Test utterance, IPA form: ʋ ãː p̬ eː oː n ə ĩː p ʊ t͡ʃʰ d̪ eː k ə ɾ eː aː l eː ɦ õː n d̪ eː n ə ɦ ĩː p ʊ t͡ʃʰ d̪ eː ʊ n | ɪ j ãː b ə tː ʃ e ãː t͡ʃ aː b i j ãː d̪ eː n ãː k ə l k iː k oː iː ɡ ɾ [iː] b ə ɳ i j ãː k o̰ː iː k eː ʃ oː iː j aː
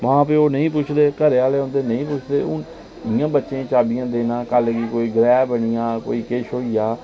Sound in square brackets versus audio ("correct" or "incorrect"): incorrect